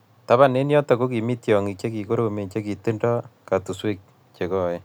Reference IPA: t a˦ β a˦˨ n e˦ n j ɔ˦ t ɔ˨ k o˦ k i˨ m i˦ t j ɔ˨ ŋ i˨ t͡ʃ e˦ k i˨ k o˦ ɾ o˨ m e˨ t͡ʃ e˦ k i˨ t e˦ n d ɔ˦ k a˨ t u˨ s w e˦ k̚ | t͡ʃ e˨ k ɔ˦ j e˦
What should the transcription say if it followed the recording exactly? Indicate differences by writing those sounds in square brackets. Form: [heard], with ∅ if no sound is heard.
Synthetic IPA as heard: t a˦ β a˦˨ n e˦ n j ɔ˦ t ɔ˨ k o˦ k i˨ m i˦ t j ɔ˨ ŋ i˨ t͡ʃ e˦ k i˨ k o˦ ɾ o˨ m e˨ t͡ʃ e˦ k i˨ t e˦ n d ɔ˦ k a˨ t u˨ s w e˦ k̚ | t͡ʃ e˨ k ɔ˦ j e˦